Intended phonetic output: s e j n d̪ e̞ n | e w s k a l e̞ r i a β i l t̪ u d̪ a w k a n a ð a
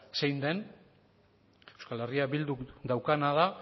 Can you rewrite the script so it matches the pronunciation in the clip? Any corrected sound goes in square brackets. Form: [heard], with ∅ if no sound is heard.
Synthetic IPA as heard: s e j n d̪ e̞ n | e w s k a l e̞ r i a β i l [d̪] u d̪ a w k a n a ð a